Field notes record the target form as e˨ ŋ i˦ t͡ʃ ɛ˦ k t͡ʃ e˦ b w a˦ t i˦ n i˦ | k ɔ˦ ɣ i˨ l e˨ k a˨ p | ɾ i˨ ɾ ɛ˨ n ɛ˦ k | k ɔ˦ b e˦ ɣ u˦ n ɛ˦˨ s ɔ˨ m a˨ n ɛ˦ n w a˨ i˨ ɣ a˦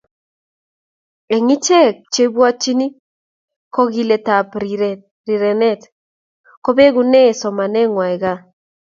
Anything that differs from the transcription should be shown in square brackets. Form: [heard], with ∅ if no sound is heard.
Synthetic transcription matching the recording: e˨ ŋ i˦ t͡ʃ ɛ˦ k t͡ʃ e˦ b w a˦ [t͡ʃ] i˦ n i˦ | k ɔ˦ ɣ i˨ l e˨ [t] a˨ p | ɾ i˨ ɾ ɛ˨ n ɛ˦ [t] | k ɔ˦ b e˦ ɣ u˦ n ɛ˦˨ s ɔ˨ m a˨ n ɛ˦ [ŋ] w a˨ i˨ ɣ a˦